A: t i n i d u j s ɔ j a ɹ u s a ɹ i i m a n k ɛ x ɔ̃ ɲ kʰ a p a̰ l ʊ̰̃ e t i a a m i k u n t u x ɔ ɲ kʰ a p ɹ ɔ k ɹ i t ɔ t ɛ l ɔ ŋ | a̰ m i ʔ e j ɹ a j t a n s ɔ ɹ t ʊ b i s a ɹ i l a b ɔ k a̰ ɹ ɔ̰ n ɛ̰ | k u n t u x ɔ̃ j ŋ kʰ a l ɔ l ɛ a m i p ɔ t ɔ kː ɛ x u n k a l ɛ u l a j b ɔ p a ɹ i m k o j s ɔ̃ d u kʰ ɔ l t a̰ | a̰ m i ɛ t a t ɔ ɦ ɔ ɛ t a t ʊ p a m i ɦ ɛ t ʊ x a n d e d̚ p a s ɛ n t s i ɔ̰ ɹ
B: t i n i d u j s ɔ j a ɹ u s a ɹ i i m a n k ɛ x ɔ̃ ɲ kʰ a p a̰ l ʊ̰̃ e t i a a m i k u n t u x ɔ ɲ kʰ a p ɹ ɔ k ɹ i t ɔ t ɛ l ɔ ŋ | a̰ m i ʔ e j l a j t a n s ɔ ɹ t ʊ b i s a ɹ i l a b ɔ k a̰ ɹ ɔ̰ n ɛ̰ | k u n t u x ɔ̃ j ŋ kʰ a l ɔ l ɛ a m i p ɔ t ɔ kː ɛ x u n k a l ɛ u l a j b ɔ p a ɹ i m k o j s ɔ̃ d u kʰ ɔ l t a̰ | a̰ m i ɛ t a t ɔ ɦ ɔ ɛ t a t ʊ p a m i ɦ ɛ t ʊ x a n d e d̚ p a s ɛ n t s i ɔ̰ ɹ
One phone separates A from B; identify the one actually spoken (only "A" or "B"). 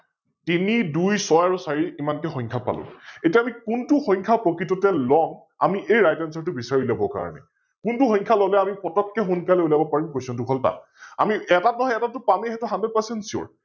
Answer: A